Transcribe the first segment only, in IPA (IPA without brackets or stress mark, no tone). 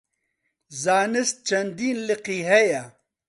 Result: z